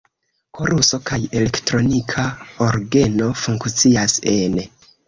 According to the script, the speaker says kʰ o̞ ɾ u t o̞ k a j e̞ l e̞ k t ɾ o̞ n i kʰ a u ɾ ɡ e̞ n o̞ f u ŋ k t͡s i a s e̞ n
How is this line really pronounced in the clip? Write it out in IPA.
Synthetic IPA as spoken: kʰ o̞ ɾ u s o̞ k a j e̞ l e̞ k t ɾ o̞ n i kʰ a o ɾ ɡ e̞ n o̞ f u ŋ k t͡s i a s e̞ n